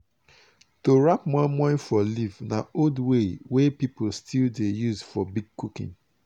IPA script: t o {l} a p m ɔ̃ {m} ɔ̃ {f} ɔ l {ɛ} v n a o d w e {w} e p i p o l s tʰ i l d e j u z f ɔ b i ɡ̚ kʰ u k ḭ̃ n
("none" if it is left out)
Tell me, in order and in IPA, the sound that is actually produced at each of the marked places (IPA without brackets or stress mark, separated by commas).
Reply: ɹ, m, f, i, w